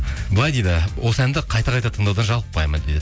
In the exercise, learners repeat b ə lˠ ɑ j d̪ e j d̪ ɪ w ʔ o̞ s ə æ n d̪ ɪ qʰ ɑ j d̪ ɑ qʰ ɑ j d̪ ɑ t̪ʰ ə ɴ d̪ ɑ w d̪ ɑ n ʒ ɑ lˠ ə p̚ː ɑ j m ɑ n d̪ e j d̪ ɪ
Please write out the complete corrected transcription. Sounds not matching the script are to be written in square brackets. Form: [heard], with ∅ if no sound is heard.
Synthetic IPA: b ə lˠ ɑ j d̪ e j d̪ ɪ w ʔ o̞ s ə æ n d̪ ɪ qʰ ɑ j [t̪] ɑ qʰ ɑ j [t̪] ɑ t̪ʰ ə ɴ d̪ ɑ w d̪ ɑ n ʒ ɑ lˠ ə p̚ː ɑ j m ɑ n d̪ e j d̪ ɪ